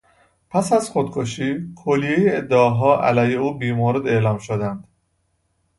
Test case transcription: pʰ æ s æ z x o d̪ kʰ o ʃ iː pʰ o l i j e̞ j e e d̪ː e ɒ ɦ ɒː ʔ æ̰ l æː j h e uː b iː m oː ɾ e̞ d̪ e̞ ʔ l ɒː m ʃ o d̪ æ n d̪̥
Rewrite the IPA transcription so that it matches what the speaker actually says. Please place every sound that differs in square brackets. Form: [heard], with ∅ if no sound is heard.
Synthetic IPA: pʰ æ s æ z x o d̪ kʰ o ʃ iː [kʰ] o l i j e̞ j e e d̪ː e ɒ ɦ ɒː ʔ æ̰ l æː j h e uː b iː m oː ɾ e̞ d̪ e̞ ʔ l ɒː m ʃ o d̪ æ n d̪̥